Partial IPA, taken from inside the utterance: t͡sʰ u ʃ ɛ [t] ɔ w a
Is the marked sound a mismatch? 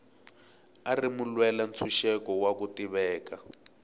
yes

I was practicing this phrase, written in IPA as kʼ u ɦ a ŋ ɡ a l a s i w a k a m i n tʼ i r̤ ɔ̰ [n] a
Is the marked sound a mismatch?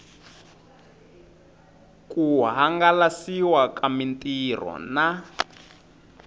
no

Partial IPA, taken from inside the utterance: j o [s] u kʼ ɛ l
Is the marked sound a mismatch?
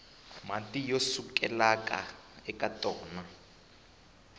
no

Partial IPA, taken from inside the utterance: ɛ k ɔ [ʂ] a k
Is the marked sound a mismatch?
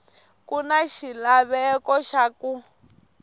yes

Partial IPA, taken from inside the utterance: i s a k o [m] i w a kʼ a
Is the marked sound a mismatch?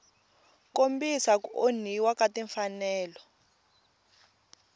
yes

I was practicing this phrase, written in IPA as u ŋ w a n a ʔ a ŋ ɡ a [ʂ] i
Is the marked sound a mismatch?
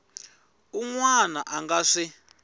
no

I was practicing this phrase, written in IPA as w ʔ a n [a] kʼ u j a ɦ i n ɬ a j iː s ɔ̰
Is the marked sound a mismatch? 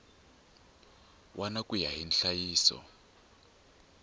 no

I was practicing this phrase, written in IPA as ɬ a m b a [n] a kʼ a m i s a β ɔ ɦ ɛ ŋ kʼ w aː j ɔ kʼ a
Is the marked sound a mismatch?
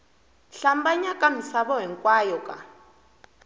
yes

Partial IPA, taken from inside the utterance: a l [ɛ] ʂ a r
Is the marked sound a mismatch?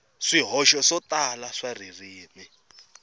yes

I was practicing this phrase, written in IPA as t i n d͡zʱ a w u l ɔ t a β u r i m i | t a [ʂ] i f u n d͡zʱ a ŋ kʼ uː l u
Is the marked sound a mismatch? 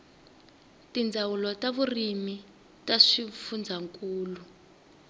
no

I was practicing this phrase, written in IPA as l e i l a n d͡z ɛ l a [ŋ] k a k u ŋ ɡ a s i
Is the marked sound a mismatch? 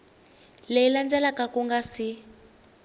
yes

